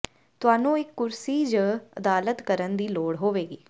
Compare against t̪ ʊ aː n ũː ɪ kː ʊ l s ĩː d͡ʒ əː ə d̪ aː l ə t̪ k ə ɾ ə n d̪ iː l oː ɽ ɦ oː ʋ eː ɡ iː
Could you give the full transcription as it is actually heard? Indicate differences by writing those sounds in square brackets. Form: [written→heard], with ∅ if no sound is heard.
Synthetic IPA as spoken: t̪ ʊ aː n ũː ɪ kː ʊ [l→ɾ] s [ĩː→iː] d͡ʒ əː ə d̪ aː l ə t̪ k ə ɾ ə n d̪ iː l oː ɽ ɦ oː ʋ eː ɡ iː